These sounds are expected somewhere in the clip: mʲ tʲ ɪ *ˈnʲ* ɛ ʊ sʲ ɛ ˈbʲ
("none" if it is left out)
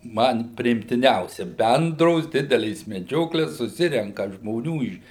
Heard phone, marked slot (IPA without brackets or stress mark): nʲ